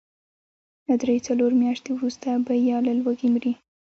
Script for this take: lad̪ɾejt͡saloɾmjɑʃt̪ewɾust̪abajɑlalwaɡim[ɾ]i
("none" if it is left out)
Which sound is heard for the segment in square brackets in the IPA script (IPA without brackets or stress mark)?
ɾ